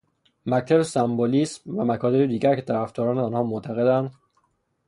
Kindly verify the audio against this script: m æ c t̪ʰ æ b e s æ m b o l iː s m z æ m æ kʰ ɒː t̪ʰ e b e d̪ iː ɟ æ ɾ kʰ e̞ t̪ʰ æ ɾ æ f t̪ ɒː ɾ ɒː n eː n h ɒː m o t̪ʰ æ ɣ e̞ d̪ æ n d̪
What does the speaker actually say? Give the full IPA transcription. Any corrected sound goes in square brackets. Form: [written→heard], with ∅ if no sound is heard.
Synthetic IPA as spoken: m æ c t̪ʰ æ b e s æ m b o l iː s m [z→v] æ m æ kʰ ɒː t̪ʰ e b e d̪ iː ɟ æ ɾ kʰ e̞ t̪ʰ æ ɾ æ f t̪ ɒː ɾ ɒː n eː n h ɒː m o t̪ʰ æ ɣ e̞ d̪ æ n d̪

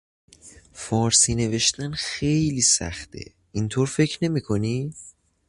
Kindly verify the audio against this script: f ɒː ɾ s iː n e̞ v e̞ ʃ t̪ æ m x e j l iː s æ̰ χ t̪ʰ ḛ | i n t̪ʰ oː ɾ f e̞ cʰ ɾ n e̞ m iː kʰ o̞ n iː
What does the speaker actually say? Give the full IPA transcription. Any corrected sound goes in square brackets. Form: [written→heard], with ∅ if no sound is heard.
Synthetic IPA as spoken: f ɒː ɾ s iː n e̞ v e̞ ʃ t̪ æ [m→n] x e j l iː s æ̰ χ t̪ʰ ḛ | i n t̪ʰ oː ɾ f e̞ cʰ ɾ n e̞ m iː kʰ o̞ n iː

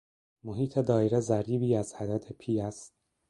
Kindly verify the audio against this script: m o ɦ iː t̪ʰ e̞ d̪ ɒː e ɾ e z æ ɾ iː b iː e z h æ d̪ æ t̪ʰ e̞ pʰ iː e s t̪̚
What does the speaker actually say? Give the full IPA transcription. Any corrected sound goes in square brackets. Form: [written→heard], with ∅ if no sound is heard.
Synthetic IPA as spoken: m o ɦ iː t̪ʰ e̞ d̪ ɒː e ɾ e z æ ɾ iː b iː [e→æ] z h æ d̪ æ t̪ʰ e̞ pʰ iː [e→æ] s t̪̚

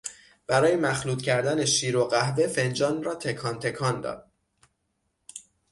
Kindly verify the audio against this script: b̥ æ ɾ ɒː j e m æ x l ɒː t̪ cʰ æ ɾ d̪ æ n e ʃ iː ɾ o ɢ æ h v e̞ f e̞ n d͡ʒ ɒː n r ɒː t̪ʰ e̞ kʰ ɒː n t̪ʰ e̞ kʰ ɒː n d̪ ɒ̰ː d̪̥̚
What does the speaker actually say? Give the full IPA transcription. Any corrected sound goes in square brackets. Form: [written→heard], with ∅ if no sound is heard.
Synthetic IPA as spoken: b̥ æ ɾ ɒː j e m æ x l [ɒː→uː] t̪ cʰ æ ɾ d̪ æ n e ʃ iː ɾ o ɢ æ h v e̞ f e̞ n d͡ʒ ɒː n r ɒː t̪ʰ e̞ kʰ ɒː n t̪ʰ e̞ kʰ ɒː n d̪ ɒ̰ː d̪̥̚

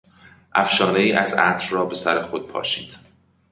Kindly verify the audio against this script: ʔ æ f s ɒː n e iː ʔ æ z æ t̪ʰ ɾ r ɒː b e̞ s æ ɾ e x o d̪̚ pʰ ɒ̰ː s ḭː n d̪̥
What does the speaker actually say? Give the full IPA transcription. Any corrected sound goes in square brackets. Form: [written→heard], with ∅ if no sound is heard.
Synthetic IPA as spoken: ʔ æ f [s→ʃ] ɒː n e iː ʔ æ z æ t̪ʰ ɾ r ɒː b e̞ s æ ɾ e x o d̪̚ pʰ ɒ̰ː [s→ʃ] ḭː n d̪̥

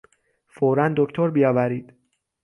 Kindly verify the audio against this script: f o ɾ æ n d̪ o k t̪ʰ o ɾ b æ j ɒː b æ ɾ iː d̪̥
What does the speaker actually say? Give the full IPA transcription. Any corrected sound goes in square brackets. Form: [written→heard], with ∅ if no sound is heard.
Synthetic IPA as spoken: f o ɾ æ n d̪ o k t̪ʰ o ɾ b [æ→i] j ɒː [b→v] æ ɾ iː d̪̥

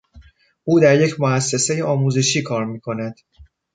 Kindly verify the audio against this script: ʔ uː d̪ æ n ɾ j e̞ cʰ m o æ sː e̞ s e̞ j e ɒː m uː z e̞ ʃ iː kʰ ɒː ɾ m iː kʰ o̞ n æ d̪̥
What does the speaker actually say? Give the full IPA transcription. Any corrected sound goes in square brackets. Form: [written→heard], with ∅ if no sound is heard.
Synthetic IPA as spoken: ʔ uː d̪ æ [n→∅] ɾ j e̞ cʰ m o æ sː e̞ s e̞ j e ɒː m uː z e̞ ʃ iː kʰ ɒː ɾ m iː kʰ o̞ n æ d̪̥

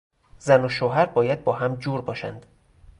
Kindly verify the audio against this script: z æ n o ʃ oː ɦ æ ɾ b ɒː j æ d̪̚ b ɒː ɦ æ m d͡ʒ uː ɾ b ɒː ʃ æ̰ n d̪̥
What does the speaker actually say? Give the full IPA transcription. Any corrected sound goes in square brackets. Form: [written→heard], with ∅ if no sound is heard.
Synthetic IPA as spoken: z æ n o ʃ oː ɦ æ ɾ b ɒː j æ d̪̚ b ɒː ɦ æ m d͡ʒ uː ɾ b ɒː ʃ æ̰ n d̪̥

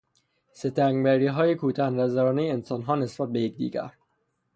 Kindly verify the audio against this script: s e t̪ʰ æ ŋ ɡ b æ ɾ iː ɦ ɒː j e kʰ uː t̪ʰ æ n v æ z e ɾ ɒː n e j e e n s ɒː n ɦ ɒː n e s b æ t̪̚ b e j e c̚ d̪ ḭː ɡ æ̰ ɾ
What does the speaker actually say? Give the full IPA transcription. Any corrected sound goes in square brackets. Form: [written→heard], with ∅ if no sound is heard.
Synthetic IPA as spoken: s e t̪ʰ æ ŋ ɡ b æ ɾ iː ɦ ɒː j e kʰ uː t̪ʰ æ n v æ z [e→æ] ɾ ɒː n e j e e n s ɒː n ɦ ɒː n e s b æ t̪̚ b e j e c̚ d̪ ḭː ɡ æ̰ ɾ

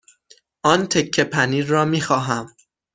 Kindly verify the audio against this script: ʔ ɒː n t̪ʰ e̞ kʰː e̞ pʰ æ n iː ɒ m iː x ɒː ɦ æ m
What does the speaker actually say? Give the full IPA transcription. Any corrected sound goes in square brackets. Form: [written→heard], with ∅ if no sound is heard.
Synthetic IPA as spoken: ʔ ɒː n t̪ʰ e̞ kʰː e̞ pʰ æ n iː [ɒ→ɒː] m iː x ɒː ɦ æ m

